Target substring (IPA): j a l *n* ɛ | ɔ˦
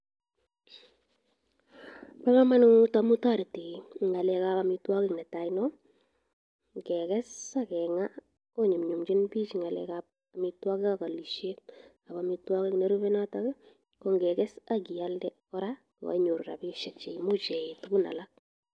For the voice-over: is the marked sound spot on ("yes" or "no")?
no